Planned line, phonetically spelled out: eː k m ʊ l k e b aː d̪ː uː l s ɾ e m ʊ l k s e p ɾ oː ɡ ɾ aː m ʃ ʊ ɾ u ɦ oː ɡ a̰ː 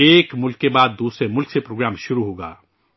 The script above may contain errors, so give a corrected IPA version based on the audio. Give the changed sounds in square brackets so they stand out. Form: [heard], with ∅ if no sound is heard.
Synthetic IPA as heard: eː k m ʊ l k e b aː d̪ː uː [∅] s ɾ e m ʊ l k s e p ɾ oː ɡ ɾ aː m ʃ ʊ ɾ u ɦ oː ɡ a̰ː